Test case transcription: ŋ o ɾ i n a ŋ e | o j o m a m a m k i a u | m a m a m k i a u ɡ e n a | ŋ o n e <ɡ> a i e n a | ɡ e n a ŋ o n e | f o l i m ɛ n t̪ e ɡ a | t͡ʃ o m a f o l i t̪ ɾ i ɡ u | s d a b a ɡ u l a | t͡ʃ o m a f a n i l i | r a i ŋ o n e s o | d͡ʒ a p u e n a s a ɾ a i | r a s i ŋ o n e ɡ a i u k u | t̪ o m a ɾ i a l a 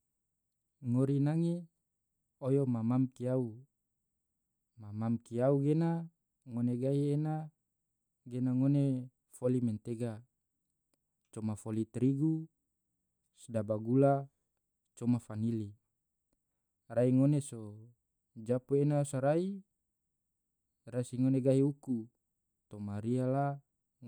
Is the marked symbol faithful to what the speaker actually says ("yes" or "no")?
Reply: yes